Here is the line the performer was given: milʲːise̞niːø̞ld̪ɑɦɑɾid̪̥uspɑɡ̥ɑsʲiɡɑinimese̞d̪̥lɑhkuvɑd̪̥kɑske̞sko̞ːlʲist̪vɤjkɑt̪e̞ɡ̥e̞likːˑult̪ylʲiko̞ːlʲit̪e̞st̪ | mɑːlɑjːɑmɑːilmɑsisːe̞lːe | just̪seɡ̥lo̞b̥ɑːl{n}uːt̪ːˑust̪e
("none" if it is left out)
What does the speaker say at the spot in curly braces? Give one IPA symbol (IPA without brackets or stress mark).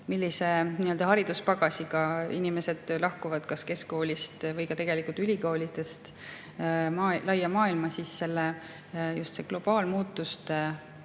m